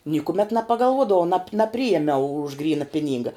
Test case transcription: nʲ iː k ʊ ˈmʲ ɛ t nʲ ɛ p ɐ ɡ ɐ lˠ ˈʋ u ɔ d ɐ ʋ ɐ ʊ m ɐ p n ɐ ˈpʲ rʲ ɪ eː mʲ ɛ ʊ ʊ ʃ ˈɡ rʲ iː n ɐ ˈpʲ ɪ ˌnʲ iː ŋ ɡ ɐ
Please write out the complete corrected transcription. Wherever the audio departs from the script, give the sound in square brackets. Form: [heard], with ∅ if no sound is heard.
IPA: nʲ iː k ʊ ˈmʲ ɛ t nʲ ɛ p ɐ ɡ ɐ lˠ ˈʋ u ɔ d ɐ ʋ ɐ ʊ [n] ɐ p n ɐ ˈpʲ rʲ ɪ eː mʲ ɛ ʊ ʊ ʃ ˈɡ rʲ iː n ɐ ˈpʲ ɪ ˌnʲ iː ŋ ɡ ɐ